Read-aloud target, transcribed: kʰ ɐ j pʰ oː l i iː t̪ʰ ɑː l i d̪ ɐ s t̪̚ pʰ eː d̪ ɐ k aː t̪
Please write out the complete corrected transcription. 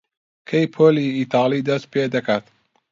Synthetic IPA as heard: kʰ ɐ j pʰ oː l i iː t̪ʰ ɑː l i d̪ ɐ s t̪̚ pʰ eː d̪ ɐ k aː t̪

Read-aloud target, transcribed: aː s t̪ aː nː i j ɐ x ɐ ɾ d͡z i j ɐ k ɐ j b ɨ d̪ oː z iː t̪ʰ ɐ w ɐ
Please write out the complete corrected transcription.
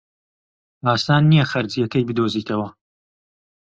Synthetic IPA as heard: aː s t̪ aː nː i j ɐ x ɐ ɾ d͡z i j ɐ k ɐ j b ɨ d̪ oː z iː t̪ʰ ɐ w ɐ

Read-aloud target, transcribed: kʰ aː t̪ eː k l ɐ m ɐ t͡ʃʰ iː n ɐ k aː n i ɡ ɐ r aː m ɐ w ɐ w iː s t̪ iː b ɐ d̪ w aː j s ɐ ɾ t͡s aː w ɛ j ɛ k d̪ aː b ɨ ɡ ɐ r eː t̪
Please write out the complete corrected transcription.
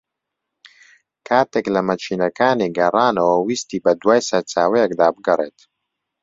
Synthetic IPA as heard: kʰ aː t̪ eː k l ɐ m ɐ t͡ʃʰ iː n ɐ k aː n i ɡ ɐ r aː n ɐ w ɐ w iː s t̪ iː b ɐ d̪ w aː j s ɐ ɾ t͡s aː w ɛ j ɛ k d̪ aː b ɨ ɡ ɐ r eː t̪

